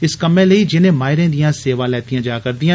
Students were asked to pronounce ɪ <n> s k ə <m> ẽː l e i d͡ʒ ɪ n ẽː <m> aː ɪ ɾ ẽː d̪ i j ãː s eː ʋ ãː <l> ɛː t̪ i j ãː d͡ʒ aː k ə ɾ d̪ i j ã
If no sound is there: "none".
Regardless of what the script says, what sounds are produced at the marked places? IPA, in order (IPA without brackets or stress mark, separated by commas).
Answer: none, m, m, l